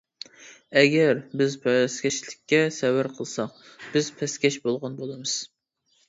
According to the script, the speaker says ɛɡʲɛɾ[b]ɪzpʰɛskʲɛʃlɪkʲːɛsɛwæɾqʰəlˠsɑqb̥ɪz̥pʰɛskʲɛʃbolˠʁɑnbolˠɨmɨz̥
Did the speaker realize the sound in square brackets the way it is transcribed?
yes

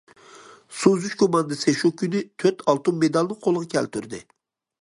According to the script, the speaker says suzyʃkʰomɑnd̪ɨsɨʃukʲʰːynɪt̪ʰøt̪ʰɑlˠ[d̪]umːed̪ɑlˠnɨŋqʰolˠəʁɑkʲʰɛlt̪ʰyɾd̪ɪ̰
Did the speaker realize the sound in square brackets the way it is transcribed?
no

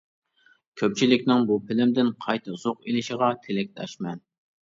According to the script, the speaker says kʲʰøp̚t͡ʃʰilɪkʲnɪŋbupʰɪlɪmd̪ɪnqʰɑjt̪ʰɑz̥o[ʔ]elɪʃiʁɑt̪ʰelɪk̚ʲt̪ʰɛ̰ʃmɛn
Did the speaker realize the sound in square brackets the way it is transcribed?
no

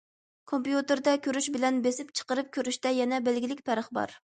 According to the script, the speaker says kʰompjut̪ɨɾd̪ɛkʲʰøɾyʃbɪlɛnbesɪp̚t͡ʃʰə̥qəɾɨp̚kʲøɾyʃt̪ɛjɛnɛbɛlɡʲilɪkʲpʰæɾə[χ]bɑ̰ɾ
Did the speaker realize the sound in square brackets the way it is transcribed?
yes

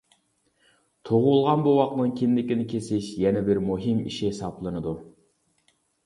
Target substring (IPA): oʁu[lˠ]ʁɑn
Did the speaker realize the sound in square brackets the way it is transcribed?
yes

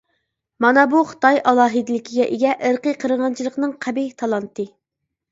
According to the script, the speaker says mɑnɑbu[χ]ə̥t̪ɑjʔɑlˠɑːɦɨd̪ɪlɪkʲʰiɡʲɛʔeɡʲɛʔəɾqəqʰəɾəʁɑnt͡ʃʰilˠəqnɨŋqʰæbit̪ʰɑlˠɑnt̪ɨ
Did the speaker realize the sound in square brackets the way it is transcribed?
yes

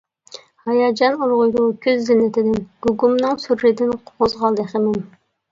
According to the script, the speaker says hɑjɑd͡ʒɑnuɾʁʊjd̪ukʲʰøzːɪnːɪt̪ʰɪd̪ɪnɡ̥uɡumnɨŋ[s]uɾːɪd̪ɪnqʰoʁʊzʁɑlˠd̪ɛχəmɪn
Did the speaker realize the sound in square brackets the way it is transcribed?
yes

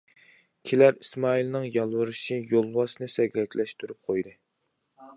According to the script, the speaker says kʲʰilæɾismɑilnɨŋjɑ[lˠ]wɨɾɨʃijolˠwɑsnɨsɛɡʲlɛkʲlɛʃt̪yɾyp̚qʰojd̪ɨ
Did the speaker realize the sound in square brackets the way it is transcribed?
yes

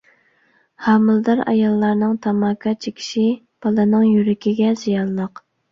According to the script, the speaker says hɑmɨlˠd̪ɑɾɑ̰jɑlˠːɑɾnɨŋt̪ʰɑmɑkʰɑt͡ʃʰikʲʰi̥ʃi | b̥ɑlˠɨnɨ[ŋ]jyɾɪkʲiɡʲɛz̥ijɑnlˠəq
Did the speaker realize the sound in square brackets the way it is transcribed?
yes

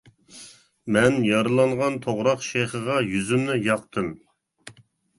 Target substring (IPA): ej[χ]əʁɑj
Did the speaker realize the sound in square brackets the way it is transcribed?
yes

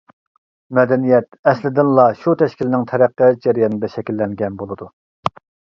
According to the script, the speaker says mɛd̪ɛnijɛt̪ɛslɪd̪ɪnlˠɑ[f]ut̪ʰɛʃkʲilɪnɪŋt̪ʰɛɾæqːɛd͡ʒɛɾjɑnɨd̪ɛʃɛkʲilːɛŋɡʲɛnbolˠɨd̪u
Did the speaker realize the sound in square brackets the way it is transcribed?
no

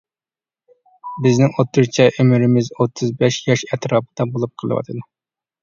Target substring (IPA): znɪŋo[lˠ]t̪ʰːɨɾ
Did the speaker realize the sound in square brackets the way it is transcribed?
no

